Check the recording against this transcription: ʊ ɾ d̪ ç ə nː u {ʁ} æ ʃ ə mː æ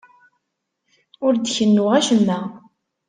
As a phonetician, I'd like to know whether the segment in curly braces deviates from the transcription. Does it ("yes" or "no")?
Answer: no